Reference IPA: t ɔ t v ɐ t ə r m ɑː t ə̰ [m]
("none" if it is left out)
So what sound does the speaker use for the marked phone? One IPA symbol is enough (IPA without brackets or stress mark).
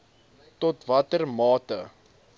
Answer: none